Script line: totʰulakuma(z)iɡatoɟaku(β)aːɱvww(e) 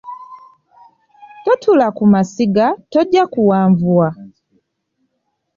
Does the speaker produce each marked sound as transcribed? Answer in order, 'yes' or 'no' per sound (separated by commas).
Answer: no, no, no